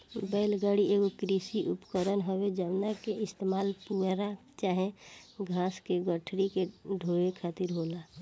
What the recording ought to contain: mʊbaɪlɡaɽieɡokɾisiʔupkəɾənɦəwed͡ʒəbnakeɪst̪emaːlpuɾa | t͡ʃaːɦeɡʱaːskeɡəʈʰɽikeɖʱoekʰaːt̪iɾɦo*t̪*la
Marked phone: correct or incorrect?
incorrect